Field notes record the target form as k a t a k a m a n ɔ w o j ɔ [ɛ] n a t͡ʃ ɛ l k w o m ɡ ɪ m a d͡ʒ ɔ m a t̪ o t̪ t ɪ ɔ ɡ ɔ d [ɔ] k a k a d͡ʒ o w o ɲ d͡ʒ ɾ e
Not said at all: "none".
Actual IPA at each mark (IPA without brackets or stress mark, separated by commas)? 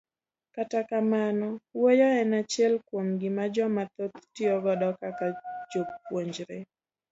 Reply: ɛ, ɔ